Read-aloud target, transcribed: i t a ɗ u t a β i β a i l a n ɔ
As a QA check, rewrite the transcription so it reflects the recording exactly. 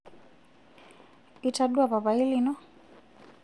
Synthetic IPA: i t a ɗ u a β a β a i l i n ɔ